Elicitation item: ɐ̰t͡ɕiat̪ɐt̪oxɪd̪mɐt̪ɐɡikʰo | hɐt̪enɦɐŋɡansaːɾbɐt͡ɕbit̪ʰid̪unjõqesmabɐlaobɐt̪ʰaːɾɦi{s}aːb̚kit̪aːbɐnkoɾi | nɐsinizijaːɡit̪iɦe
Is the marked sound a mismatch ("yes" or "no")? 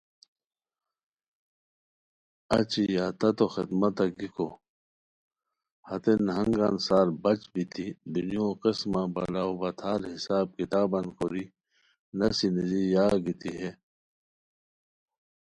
no